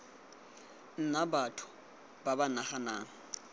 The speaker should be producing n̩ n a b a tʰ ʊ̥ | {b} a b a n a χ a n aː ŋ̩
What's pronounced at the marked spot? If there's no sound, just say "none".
b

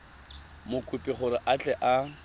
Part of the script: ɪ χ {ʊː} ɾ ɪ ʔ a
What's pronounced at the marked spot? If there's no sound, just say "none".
ʊ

